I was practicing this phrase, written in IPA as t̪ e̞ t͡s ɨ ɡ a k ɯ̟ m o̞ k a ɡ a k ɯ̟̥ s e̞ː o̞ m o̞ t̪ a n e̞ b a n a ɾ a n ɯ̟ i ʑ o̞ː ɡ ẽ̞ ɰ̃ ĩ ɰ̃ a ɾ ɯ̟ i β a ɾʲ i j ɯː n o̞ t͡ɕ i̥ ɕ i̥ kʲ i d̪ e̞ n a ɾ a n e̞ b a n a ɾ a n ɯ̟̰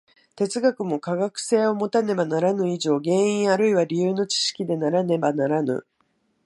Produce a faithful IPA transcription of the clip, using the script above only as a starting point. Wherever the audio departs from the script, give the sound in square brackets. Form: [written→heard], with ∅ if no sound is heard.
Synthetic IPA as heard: t̪ e̞ t͡s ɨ ɡ a k ɯ̟ m o̞ k a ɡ a k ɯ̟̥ s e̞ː o̞ m o̞ t̪ a n e̞ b a n a ɾ a n ɯ̟ i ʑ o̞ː ɡ ẽ̞ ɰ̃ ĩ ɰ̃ a ɾ ɯ̟ i β a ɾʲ i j ɯː n o̞ t͡ɕ i̥ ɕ i̥ kʲ i d̪ e̞ n a ɾ a n e̞ b a n a ɾ a n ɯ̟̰